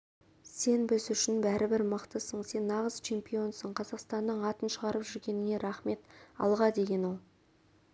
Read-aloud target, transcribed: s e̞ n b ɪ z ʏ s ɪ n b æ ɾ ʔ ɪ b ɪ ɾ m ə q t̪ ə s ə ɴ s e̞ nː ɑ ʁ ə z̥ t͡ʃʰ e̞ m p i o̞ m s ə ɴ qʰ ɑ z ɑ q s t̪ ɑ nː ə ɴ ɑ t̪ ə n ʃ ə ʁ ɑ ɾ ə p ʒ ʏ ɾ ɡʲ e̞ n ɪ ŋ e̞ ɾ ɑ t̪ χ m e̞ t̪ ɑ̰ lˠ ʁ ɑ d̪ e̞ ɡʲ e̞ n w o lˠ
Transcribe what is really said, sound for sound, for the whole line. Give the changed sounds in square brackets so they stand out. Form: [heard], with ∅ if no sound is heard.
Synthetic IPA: s e̞ n b ɪ z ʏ [ʃ] ɪ n b æ ɾ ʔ ɪ b ɪ ɾ m ə q t̪ ə s ə ɴ s e̞ nː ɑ ʁ ə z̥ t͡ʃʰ e̞ m p i o̞ [n] s ə ɴ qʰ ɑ z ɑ q s t̪ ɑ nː ə ɴ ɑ t̪ ə n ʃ ə ʁ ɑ ɾ ə p ʒ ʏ ɾ ɡʲ e̞ n ɪ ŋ e̞ ɾ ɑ [∅] χ m e̞ t̪ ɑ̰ lˠ ʁ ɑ d̪ e̞ ɡʲ e̞ n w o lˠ